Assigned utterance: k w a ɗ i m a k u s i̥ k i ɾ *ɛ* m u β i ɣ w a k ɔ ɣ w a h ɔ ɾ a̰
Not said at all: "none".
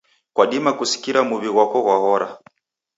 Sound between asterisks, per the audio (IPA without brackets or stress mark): a